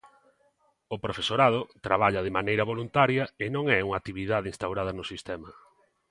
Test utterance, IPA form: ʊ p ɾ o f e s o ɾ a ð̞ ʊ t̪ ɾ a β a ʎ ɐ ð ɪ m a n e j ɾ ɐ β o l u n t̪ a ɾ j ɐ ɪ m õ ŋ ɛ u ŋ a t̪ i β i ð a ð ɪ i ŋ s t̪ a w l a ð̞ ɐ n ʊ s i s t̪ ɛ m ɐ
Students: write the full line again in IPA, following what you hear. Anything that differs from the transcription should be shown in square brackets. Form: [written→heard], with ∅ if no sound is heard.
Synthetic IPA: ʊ p ɾ o f e s o ɾ a ð̞ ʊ t̪ ɾ a β a ʎ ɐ ð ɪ m a n e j ɾ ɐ β o l u n t̪ a ɾ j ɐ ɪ [m→n] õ ŋ ɛ u ŋ a t̪ i β i ð a ð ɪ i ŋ s t̪ a w [l→ɾ] a ð̞ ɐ n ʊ s i s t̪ ɛ m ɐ